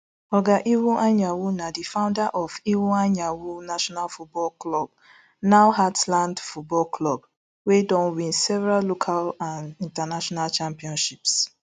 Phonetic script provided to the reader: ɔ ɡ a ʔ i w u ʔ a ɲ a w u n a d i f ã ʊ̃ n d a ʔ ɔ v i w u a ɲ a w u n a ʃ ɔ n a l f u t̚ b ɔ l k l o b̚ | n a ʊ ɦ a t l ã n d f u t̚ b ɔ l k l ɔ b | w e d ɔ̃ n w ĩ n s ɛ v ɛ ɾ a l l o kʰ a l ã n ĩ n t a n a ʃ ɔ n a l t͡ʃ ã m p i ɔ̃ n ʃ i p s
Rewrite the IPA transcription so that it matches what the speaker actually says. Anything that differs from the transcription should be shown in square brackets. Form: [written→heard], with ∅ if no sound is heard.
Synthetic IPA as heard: ɔ ɡ a ʔ i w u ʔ a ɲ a w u n a d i f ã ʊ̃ n d a ʔ ɔ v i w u a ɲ a w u n a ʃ ɔ n a l f u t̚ b ɔ l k l [o→ɔ] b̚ | n a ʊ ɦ a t l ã n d f u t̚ b ɔ l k l ɔ b | w e d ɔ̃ n w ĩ n s ɛ v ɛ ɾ a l l o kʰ a l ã n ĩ n t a n a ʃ ɔ n a l t͡ʃ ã m p i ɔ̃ n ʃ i p s